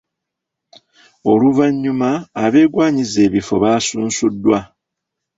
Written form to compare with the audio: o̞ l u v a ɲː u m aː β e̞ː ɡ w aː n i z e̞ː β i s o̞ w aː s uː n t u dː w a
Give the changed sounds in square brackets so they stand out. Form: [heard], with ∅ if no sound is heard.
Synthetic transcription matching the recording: o̞ l u v a ɲː u m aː β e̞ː ɡ w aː [ɲ] i z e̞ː β i [f] o̞ [β] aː s uː n [s] u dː w a